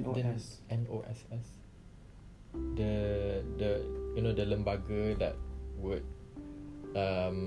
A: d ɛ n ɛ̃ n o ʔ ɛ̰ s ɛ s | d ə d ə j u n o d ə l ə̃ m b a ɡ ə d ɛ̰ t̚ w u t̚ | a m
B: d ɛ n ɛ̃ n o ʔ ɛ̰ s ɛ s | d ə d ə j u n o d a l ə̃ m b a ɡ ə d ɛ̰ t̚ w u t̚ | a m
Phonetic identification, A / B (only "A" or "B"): A